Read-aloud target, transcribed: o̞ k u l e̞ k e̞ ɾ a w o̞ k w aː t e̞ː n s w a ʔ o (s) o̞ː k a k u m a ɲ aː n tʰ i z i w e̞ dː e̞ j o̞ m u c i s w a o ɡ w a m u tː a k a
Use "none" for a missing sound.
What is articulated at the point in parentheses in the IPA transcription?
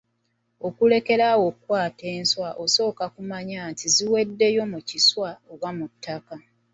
s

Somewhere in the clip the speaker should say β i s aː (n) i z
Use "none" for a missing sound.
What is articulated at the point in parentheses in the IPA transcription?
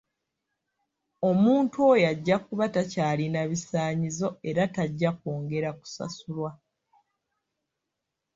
ɲ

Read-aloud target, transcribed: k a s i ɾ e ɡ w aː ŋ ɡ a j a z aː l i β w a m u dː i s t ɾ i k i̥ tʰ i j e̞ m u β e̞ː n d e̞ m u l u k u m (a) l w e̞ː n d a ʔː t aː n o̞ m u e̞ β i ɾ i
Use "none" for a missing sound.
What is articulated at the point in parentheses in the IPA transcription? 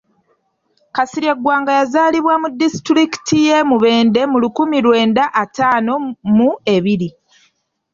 i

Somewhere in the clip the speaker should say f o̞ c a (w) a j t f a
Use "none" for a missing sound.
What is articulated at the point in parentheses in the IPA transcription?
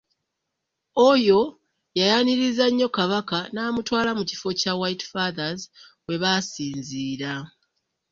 w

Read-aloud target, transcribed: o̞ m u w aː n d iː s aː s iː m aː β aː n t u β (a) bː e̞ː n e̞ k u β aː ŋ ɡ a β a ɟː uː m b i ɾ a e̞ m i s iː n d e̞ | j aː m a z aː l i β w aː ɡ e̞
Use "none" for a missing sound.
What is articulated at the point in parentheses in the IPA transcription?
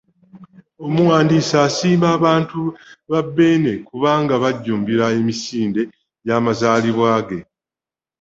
a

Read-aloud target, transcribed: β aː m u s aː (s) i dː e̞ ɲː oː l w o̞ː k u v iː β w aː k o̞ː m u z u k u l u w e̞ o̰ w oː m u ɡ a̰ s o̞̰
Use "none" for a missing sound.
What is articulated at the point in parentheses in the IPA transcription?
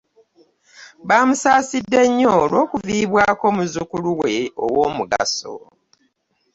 s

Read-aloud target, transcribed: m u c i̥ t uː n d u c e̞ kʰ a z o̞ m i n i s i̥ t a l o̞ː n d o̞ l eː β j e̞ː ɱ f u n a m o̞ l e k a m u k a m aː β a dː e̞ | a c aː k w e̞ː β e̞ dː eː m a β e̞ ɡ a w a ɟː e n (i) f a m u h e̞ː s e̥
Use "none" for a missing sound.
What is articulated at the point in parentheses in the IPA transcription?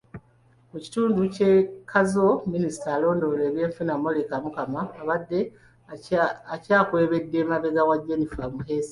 i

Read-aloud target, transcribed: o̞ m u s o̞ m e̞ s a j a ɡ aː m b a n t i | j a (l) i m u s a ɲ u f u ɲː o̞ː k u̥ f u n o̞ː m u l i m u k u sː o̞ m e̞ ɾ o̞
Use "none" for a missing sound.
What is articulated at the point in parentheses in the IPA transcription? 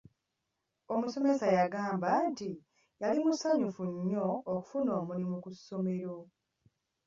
l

